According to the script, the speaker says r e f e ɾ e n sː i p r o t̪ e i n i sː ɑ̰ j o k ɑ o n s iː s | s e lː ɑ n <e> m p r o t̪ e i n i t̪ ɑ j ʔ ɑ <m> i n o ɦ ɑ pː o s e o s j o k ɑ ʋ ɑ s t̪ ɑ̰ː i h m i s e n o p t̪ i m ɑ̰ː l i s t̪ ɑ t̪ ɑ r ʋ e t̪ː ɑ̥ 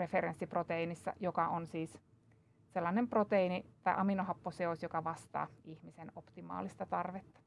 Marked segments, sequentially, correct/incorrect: correct, correct

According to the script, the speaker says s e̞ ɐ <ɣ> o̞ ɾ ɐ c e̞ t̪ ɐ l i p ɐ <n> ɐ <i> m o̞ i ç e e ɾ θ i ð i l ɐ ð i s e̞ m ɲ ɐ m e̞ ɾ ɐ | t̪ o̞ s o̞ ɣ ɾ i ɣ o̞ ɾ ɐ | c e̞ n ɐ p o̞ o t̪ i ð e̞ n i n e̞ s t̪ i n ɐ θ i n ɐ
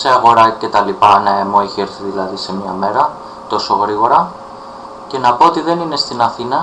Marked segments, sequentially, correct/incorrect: correct, correct, incorrect

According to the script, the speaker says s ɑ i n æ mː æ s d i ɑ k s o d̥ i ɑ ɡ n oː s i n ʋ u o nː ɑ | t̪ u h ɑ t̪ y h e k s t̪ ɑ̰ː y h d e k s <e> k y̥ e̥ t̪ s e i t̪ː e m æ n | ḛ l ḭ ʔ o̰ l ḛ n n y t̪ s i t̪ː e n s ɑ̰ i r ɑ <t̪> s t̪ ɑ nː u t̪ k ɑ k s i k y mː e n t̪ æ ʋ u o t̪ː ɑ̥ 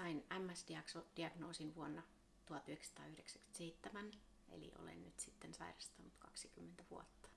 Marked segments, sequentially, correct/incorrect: incorrect, incorrect

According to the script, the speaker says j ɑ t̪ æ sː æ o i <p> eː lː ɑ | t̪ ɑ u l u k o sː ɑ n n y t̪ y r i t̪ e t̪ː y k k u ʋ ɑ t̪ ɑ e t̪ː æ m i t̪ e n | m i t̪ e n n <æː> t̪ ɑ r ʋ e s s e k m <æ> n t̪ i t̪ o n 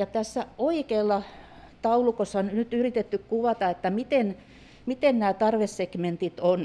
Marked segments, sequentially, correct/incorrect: incorrect, correct, incorrect

